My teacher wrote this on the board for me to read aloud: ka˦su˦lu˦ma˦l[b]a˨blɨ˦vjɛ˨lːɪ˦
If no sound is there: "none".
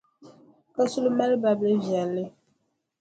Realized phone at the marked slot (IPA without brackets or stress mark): b